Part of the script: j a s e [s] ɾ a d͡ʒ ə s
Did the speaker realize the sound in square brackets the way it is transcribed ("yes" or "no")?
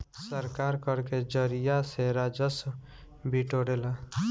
no